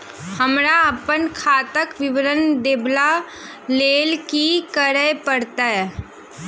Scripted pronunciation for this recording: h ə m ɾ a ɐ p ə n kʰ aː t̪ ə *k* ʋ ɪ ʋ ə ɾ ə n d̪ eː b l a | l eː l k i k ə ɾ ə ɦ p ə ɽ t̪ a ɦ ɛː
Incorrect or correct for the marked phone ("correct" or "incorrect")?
correct